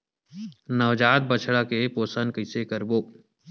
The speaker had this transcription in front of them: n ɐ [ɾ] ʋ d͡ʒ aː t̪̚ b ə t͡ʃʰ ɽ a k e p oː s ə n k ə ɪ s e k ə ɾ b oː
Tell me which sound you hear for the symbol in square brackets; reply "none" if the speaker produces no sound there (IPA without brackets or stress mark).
none